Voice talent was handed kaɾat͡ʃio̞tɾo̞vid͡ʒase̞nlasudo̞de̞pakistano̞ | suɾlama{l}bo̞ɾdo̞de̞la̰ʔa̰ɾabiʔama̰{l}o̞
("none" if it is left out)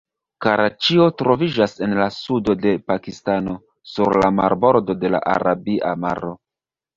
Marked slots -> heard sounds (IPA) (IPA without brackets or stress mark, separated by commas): ɾ, ɾ